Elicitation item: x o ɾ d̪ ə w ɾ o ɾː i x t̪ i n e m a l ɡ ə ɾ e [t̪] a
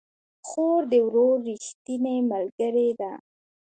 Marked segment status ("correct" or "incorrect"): incorrect